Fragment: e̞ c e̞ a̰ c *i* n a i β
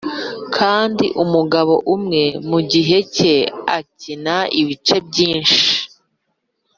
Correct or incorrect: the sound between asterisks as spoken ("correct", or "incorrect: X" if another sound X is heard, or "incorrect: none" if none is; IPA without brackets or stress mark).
correct